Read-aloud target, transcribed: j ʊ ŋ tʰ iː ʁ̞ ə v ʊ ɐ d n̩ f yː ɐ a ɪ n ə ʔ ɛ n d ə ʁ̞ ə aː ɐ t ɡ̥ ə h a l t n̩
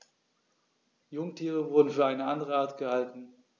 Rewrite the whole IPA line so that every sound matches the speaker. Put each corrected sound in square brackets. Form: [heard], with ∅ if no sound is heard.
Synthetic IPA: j ʊ ŋ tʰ iː ʁ̞ ə v ʊ ɐ d n̩ f yː ɐ a ɪ n ə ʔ [a] n d ə ʁ̞ ə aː ɐ t ɡ̥ ə h a l t n̩